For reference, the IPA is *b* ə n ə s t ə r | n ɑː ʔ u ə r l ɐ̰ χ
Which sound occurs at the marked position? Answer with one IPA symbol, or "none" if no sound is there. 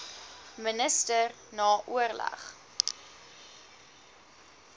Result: m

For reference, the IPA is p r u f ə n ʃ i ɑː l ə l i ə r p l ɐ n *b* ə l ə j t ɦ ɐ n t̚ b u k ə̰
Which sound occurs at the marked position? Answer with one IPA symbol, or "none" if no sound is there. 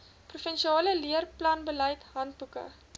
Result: b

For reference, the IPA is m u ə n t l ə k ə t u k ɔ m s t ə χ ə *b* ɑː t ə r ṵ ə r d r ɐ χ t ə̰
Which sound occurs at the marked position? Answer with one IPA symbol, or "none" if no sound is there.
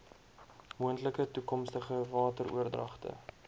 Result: v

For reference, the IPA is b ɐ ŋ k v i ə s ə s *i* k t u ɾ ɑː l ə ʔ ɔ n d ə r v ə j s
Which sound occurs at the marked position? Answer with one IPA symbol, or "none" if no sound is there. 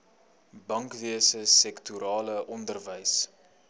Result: ɛ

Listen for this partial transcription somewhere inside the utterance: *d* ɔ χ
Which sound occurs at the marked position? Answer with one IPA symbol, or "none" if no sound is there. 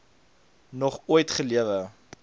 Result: n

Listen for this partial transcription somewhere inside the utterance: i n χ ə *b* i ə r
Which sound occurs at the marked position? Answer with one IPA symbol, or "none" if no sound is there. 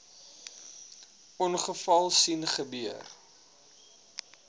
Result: b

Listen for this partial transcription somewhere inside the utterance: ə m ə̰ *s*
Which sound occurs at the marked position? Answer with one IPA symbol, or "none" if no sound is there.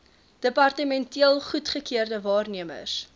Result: s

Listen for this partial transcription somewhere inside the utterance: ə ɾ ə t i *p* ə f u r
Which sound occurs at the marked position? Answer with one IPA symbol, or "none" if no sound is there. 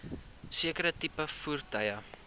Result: p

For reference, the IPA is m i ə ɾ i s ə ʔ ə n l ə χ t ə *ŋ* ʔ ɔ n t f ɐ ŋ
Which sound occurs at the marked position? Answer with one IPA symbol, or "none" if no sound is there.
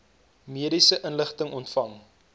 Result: ŋ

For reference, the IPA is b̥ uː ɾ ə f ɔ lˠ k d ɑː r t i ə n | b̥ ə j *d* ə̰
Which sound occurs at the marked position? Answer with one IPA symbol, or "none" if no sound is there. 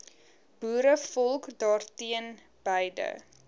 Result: d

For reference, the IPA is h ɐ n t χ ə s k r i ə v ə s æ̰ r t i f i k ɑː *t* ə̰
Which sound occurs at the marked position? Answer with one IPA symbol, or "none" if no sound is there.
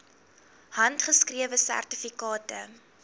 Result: t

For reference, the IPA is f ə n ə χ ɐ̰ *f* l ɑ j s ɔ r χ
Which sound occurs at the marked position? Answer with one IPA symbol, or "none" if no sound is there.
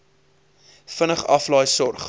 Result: f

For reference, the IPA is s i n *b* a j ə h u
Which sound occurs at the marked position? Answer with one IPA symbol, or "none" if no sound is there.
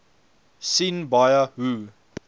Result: b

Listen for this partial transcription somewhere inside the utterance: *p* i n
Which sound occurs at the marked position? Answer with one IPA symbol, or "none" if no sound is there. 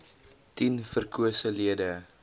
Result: t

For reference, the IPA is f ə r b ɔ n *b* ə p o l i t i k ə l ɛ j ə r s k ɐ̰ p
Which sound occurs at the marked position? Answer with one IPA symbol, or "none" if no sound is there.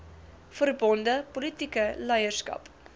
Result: d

